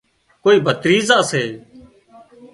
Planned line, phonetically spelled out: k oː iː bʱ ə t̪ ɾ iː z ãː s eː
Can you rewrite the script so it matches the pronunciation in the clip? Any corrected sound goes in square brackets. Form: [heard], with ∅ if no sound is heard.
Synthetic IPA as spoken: k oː iː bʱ ə t̪ ɾ iː z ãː s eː